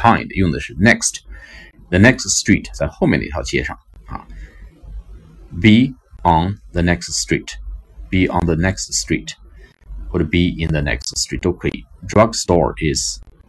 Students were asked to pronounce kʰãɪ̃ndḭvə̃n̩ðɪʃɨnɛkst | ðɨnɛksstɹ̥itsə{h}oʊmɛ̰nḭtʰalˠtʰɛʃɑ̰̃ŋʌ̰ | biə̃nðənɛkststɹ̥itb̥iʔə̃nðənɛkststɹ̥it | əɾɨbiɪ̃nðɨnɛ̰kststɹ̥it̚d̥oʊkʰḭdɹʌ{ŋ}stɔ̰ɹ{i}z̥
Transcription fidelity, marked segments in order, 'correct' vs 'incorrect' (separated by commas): correct, incorrect, incorrect